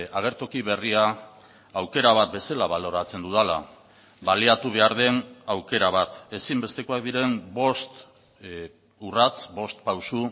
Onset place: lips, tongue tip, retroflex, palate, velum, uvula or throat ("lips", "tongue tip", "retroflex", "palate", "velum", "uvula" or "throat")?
velum